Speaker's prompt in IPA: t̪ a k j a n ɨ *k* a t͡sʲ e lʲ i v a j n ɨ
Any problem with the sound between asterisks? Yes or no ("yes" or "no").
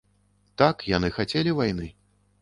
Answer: yes